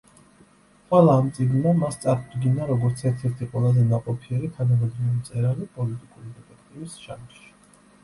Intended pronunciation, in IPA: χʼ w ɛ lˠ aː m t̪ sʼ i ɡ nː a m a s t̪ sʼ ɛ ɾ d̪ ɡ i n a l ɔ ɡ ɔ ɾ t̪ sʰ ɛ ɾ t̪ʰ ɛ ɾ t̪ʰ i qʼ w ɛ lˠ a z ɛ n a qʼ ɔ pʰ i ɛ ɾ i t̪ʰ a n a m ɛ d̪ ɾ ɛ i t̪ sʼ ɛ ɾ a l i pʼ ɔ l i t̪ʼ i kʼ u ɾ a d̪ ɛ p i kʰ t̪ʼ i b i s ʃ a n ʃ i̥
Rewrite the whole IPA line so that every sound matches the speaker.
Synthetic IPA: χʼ w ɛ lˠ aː m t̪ sʼ i ɡ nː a m a s t̪ sʼ a ɾ d̪ ɡ i n a ɾ ɔ ɡ ɔ ɾ t̪ sʰ ɛ ɾ t̪ʰ ɛ ɾ t̪ʰ i qʼ w ɛ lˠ a z ɛ n a qʼ ɔ pʰ i ɛ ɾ i t̪ʰ a n a m ɛ d̪ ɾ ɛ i t̪ sʼ ɛ ɾ a l i pʼ ɔ l i t̪ʼ i kʼ u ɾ i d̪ ɛ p ɛ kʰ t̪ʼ i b i s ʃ a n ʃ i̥